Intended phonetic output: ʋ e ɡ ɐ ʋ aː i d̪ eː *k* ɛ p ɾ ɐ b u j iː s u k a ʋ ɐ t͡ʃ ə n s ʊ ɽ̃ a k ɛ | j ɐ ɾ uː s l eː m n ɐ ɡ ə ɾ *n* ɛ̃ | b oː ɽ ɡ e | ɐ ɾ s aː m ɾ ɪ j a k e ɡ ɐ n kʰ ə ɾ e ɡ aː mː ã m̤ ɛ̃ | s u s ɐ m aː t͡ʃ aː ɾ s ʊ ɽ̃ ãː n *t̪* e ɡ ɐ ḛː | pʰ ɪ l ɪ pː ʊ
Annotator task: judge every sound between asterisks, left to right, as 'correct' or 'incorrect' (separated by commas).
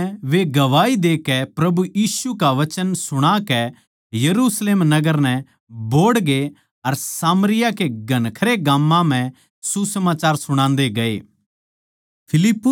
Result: correct, correct, incorrect